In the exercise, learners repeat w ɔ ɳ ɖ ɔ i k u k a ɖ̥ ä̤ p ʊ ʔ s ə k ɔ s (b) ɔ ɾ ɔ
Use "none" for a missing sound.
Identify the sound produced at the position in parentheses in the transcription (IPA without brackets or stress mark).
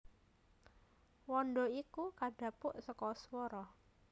w